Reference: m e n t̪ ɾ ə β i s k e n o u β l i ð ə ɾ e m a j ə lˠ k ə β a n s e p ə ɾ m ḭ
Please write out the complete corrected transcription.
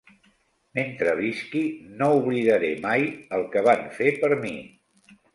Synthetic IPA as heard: m e n t̪ ɾ ə β i s k i n o u β l i ð ə ɾ e m a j ə lˠ k ə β a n f e p ə ɾ m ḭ